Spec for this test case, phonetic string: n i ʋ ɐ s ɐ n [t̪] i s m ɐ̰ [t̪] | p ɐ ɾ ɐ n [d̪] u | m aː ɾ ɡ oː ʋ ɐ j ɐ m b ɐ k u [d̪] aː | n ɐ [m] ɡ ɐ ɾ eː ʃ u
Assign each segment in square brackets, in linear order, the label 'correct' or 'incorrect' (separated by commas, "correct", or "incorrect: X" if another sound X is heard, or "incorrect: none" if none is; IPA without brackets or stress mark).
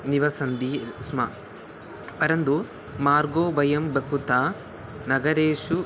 incorrect: d̪, incorrect: none, correct, incorrect: t̪, incorrect: none